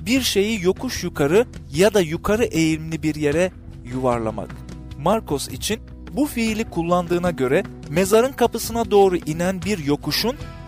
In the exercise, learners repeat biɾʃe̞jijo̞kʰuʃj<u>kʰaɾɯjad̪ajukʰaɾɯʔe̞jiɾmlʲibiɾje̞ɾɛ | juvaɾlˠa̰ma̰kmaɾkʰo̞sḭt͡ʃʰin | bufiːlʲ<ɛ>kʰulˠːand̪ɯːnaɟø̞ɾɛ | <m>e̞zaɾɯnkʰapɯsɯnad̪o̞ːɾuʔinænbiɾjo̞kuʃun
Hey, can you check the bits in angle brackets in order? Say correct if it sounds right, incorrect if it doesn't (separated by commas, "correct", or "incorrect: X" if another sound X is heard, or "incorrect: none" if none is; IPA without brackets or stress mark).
correct, incorrect: i, correct